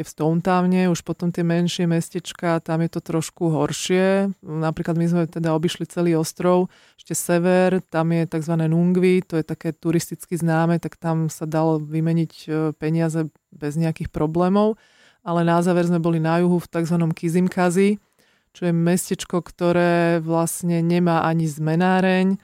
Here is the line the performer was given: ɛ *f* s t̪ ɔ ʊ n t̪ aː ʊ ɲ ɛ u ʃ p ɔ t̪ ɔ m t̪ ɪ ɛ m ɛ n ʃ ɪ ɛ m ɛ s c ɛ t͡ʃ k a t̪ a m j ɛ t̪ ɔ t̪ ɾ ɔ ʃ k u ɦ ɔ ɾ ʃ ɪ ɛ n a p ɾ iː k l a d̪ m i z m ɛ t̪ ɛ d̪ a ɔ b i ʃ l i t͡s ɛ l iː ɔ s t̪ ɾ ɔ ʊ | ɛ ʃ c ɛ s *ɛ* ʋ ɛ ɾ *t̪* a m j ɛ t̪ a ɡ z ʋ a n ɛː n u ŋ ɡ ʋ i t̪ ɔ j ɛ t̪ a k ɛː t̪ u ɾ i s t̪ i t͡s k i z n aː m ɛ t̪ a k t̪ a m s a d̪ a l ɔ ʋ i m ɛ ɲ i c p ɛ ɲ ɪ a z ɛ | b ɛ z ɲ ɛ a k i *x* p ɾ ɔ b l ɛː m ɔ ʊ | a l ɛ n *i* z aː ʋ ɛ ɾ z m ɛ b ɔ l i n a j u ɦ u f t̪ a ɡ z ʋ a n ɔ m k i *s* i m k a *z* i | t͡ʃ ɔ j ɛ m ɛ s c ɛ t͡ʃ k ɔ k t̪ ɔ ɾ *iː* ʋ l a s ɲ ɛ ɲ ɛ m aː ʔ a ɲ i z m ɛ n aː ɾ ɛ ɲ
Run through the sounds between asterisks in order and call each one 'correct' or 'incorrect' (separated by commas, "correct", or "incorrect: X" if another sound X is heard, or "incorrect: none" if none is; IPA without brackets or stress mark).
correct, correct, correct, correct, incorrect: a, incorrect: z, correct, incorrect: ɛː